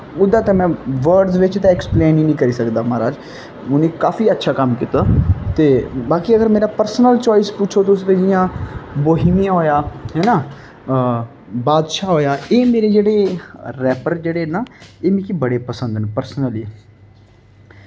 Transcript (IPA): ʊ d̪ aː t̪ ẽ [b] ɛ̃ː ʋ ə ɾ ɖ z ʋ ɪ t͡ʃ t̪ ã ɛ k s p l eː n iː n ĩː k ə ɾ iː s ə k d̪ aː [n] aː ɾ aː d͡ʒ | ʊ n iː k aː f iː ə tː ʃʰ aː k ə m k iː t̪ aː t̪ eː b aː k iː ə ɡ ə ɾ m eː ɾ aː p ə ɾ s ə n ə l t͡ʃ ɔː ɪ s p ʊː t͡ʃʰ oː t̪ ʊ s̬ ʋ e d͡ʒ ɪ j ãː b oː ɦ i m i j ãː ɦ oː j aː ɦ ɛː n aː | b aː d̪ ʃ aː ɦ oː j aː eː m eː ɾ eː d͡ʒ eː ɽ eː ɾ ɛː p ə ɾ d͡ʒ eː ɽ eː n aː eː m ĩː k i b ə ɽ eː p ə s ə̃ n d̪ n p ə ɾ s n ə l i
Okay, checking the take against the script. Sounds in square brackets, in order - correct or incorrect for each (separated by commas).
incorrect, incorrect